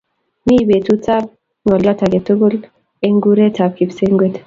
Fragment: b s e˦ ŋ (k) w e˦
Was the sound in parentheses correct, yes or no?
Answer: no